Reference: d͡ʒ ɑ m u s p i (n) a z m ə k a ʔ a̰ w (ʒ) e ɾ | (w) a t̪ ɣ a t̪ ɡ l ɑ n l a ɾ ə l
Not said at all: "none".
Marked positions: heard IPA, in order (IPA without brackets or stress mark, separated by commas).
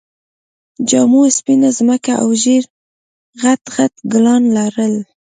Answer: n, ʒ, ɣ